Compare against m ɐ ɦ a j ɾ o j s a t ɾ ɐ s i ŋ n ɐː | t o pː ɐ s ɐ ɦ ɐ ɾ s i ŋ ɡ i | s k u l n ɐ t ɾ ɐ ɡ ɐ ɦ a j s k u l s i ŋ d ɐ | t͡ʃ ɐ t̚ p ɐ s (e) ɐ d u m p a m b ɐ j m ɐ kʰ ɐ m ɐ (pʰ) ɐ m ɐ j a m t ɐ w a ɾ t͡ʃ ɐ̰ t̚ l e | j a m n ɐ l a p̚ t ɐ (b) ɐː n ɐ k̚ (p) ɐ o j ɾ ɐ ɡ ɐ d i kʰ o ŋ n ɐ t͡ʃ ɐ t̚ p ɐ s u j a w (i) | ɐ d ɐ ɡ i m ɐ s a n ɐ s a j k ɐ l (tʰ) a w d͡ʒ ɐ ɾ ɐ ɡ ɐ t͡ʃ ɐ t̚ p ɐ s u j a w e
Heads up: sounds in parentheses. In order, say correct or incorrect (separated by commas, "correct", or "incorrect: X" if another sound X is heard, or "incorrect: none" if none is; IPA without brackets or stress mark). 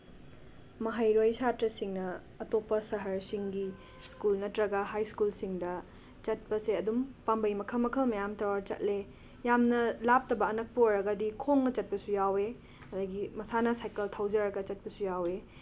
correct, incorrect: kʰ, correct, correct, incorrect: e, correct